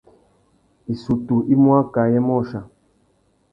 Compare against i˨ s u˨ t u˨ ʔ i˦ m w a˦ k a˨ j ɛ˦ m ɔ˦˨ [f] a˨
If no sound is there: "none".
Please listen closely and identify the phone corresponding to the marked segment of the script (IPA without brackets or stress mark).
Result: ʃ